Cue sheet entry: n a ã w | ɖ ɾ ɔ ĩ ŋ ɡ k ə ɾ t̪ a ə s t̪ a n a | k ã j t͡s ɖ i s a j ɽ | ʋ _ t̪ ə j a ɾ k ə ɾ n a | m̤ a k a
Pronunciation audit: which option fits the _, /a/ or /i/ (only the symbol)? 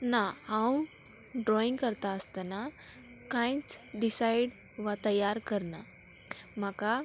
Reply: a